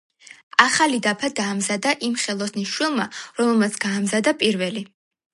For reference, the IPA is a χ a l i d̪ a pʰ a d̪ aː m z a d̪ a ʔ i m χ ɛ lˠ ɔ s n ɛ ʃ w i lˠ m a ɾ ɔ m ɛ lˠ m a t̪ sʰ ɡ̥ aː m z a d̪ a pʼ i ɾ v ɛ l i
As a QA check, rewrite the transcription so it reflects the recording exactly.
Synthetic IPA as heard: a χ a l i d̪ a pʰ a d̪ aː m z a d̪ a ʔ i m χ ɛ lˠ ɔ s n i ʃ w i lˠ m a ɾ ɔ m ɛ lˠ m a t̪ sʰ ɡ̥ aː m z a d̪ a pʼ i ɾ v ɛ l i